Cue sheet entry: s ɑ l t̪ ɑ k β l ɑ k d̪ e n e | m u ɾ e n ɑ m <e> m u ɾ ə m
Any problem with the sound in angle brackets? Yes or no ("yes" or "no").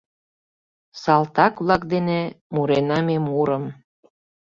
no